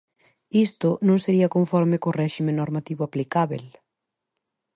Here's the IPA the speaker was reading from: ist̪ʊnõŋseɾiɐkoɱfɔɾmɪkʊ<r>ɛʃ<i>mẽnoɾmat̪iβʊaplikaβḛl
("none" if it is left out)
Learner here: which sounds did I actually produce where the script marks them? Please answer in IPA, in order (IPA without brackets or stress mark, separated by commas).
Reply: r, i